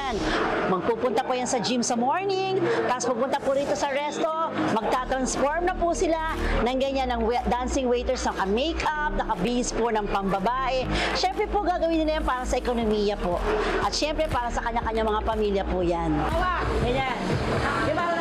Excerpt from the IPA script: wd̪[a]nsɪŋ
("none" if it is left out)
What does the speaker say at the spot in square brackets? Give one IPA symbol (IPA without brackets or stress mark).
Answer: a